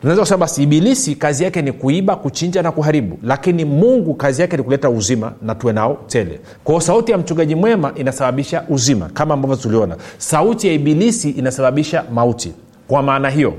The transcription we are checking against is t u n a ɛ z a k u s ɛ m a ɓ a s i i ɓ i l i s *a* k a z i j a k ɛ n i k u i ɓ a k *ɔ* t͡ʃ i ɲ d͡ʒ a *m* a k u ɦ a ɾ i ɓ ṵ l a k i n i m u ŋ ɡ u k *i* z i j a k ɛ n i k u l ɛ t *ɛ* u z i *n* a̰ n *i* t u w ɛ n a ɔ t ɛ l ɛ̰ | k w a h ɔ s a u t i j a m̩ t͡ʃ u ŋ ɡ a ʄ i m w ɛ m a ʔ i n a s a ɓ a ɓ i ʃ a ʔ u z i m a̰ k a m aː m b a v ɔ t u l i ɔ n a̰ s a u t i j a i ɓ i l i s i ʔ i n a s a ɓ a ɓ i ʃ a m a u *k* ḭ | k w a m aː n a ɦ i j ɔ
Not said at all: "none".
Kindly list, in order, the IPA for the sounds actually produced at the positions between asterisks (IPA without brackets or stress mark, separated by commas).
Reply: i, u, n, a, a, m, a, t